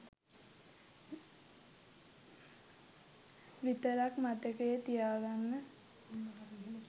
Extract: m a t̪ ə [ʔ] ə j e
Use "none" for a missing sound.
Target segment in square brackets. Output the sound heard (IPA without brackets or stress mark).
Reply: k